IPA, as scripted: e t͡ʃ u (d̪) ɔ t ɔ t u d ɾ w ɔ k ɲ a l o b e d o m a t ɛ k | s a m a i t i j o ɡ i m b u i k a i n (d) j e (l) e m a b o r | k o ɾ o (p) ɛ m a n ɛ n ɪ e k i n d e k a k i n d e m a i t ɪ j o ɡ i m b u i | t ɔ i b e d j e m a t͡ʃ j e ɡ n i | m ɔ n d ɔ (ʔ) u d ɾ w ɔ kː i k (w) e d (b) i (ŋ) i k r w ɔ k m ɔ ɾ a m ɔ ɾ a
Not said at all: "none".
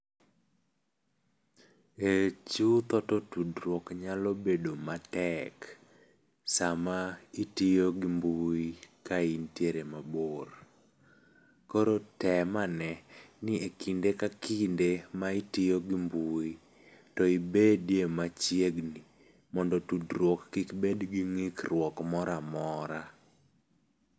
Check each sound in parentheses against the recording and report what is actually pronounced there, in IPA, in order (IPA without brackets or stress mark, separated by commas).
t̪, t, ɾ, t, t, b, ɡ, ŋ